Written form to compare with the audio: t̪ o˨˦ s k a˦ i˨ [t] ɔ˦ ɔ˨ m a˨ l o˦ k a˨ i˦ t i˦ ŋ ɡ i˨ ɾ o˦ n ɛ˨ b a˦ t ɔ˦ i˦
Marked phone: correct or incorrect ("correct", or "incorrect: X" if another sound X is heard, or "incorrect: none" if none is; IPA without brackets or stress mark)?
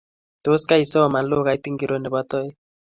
incorrect: s